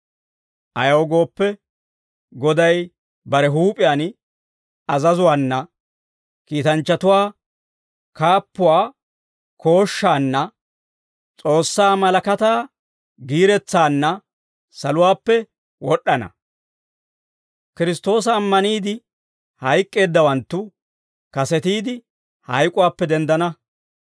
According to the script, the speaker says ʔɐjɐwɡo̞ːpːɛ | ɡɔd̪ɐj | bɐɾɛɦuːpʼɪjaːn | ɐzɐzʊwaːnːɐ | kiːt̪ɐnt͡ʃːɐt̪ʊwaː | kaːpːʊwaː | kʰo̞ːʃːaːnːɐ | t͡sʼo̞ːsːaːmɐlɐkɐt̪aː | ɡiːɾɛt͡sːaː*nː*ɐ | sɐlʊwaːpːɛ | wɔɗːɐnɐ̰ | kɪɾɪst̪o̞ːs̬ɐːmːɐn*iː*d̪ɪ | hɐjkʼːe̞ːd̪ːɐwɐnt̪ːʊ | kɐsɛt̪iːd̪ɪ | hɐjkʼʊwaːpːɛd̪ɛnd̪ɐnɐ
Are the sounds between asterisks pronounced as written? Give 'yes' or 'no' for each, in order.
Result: yes, yes

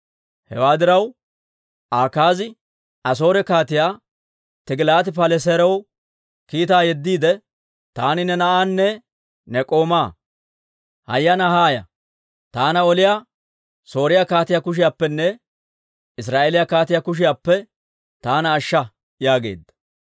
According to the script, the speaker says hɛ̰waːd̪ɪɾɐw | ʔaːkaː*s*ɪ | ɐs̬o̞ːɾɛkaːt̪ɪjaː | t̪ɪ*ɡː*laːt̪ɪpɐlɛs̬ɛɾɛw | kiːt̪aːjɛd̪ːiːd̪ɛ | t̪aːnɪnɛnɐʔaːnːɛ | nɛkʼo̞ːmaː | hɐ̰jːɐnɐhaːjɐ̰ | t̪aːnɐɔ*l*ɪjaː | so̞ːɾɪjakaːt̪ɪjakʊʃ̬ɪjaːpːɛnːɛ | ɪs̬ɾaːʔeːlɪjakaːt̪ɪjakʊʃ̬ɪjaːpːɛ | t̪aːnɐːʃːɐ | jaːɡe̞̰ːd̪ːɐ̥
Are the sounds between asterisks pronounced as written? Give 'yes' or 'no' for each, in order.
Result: no, no, yes

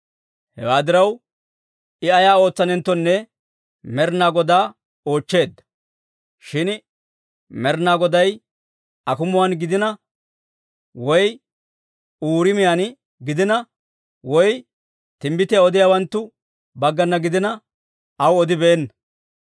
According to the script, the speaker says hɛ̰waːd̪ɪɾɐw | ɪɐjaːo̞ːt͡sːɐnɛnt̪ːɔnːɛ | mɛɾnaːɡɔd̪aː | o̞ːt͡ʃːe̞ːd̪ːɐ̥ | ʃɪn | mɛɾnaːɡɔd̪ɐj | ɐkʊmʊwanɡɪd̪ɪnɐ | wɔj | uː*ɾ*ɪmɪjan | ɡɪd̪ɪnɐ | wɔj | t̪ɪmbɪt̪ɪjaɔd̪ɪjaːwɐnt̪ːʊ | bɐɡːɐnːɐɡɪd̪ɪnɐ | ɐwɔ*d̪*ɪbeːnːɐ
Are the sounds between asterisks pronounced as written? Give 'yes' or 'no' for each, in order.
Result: yes, yes

